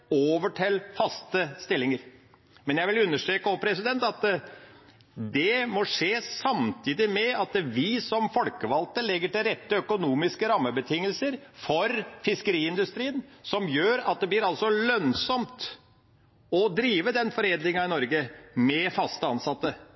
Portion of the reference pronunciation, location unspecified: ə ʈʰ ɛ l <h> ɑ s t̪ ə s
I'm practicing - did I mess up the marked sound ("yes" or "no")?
yes